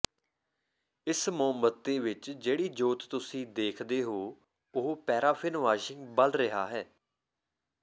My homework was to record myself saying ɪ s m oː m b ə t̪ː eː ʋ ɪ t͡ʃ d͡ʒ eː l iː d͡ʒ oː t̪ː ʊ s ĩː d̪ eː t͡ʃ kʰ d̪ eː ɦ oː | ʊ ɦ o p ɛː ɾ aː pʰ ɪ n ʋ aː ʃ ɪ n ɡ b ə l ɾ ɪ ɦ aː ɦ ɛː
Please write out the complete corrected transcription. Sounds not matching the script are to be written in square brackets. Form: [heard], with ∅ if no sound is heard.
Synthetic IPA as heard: ɪ s m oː m b ə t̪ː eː ʋ ɪ t͡ʃ d͡ʒ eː [ɽ] iː d͡ʒ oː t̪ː ʊ s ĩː d̪ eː [∅] kʰ d̪ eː ɦ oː | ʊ ɦ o p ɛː ɾ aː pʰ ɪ n ʋ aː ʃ ɪ [ŋ] ɡ b ə l ɾ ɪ ɦ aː ɦ ɛː